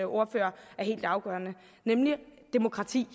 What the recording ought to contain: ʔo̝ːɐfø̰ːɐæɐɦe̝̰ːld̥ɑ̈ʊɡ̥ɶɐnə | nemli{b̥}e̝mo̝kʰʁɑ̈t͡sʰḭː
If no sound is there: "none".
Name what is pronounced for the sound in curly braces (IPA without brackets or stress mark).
d̥